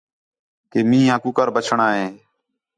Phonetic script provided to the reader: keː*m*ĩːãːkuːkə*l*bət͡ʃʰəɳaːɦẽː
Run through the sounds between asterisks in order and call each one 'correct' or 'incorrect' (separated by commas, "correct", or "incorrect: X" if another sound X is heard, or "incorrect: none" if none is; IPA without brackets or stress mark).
correct, incorrect: ɾ